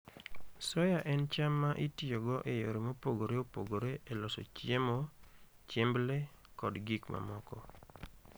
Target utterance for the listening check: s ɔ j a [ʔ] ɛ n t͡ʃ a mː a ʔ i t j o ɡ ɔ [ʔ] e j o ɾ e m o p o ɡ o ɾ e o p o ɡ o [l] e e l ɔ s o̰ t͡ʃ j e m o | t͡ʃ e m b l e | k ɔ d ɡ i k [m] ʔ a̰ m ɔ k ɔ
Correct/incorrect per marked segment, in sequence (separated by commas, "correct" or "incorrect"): correct, correct, incorrect, correct